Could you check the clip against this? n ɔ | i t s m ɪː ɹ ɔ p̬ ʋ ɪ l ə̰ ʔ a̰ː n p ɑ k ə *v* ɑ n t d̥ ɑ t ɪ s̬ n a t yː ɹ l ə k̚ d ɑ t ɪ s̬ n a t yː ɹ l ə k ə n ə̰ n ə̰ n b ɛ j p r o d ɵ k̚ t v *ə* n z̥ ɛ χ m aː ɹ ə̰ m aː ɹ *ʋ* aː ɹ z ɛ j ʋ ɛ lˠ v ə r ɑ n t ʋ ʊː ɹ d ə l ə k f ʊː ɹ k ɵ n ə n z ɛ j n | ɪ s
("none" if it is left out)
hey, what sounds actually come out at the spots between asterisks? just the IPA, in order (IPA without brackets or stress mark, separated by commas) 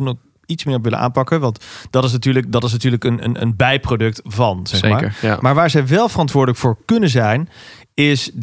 ʋ, ɑ, ʋ